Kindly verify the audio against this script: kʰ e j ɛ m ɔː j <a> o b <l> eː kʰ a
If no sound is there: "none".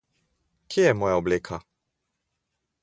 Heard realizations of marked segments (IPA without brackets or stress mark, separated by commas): a, l